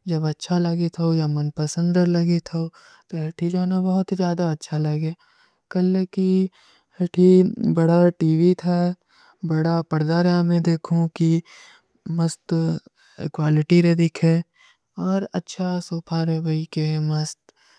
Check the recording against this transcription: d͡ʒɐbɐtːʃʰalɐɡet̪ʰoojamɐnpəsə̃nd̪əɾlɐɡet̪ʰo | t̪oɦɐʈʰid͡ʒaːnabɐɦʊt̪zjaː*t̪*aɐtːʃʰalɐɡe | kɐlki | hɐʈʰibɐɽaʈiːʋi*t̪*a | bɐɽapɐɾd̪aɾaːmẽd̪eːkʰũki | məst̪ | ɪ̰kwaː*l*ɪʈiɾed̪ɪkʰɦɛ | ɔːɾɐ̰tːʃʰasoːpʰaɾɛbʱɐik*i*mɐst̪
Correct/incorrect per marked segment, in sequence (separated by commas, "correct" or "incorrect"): incorrect, incorrect, correct, incorrect